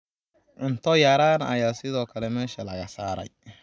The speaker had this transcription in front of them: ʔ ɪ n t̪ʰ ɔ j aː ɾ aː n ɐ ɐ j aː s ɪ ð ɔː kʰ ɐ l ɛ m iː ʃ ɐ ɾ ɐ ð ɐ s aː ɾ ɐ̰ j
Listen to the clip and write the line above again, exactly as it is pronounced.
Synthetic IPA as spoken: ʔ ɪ n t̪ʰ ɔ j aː ɾ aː n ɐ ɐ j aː s ɪ ð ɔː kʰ ɐ l ɛ m ɛː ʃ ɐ l ɐ ɣ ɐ s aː ɾ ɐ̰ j